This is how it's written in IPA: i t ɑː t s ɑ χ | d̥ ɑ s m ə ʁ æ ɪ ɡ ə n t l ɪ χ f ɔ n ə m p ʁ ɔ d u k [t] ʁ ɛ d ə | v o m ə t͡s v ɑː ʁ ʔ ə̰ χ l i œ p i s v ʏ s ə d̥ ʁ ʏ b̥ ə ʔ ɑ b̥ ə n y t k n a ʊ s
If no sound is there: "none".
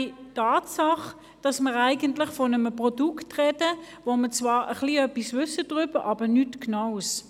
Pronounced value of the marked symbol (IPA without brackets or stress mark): t